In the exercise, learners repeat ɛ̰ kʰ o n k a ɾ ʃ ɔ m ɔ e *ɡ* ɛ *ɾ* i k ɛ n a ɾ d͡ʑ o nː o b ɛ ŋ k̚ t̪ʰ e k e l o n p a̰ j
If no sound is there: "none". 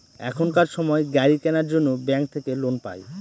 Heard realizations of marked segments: ɡ, ɾ

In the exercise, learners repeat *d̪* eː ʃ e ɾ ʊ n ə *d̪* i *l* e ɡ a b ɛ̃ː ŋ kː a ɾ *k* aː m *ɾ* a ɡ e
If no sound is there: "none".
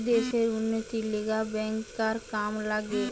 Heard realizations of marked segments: d̪, t̪, l, k, l

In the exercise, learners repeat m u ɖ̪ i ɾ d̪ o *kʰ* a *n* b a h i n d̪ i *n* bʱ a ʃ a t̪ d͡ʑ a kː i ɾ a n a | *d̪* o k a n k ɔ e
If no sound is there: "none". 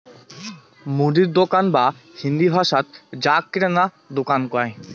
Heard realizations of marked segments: k, n, none, d̪

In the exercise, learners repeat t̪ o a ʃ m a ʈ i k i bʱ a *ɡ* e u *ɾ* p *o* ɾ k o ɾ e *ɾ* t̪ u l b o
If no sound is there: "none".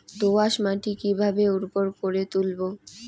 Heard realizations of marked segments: b, ɾ, o, none

